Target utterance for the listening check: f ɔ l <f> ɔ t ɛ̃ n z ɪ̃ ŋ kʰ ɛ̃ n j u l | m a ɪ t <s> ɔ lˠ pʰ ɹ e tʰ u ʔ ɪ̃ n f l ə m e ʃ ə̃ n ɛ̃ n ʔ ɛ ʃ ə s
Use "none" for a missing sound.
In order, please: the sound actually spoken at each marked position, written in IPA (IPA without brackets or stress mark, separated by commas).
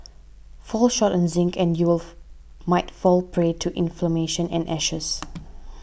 ʃ, f